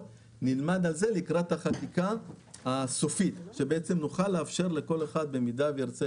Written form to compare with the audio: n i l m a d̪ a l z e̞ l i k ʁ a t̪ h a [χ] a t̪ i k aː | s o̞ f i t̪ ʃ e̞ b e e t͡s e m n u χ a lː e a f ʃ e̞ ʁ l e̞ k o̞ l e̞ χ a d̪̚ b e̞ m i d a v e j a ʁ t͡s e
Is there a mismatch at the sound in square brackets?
no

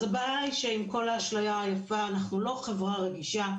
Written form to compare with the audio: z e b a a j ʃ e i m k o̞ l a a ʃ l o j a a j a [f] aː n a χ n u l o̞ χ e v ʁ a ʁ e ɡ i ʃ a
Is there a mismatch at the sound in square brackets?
no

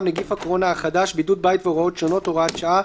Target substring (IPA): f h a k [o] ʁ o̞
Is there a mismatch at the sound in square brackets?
no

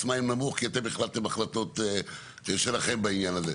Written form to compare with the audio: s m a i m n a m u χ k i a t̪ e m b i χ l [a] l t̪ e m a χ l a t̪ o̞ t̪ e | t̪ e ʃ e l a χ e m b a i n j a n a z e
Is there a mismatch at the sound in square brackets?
no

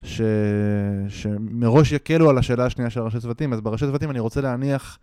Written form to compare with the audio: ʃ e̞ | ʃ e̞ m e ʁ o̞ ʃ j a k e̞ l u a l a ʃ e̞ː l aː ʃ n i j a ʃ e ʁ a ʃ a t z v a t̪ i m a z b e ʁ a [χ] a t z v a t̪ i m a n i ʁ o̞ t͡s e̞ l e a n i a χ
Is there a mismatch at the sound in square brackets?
yes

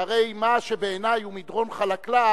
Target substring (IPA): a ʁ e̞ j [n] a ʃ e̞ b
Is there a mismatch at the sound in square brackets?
yes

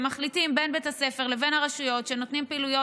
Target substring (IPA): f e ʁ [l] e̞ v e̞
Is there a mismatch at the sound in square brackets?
no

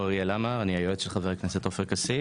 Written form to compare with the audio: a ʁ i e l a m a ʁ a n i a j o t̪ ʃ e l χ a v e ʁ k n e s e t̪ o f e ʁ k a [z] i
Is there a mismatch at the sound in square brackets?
yes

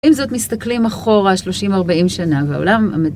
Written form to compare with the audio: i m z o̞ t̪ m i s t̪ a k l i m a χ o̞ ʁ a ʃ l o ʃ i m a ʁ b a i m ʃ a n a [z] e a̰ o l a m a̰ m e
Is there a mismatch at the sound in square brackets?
yes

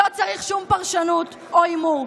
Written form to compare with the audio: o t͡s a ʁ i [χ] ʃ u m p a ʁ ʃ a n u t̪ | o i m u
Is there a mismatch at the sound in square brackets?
no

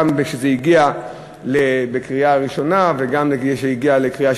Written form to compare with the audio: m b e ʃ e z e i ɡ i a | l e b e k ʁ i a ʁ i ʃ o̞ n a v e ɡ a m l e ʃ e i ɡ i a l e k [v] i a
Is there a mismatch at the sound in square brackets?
yes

